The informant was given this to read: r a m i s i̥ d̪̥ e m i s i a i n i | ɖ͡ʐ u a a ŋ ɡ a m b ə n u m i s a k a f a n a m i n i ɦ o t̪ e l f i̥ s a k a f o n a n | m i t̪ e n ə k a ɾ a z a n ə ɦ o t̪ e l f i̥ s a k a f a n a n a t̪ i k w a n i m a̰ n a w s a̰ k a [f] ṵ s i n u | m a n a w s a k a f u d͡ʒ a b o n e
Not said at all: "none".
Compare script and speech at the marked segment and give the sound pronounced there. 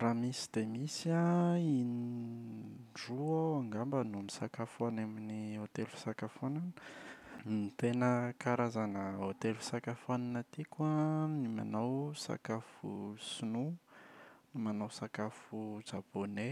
f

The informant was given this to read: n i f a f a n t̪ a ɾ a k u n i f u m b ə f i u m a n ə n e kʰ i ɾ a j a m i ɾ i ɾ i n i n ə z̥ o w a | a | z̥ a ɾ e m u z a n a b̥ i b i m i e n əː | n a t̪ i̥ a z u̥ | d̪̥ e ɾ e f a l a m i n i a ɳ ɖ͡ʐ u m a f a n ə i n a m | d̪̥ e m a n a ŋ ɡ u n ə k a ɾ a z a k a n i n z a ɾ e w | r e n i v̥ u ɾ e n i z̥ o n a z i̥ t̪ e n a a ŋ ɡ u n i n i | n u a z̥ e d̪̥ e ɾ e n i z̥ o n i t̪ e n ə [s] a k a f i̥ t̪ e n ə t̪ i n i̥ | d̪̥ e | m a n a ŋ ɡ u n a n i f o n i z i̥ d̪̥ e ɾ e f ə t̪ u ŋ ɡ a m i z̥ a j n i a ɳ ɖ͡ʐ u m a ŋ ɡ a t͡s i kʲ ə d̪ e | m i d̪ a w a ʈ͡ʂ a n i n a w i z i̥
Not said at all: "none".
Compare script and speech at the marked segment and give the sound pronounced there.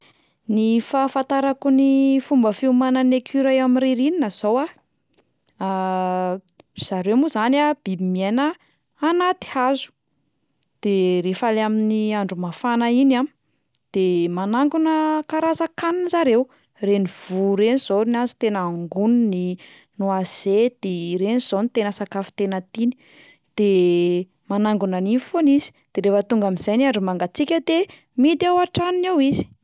s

